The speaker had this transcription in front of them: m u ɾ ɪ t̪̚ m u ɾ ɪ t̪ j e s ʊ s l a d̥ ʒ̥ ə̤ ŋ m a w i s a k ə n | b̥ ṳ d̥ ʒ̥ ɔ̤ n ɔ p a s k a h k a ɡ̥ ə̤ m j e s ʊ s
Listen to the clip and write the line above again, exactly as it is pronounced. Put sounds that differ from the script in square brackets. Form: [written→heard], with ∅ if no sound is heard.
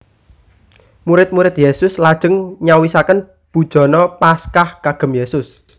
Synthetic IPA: m u ɾ ɪ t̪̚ m u ɾ ɪ t̪ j e s ʊ s l a d̥ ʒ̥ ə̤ ŋ [m→ɲ] a w i s a k ə n | b̥ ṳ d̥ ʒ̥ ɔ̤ n ɔ p a s k a h k a ɡ̥ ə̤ m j e s ʊ s